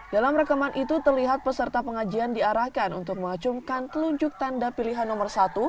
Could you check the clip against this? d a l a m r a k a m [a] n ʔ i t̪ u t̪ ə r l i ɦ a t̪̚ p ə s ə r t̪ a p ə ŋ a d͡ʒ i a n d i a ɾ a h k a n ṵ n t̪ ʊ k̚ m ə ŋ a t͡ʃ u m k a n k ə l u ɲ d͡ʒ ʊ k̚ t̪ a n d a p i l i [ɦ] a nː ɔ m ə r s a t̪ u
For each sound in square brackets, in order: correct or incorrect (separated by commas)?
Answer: correct, correct